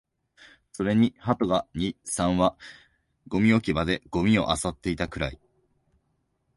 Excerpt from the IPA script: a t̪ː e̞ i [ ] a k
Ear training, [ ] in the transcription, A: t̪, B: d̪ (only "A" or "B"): A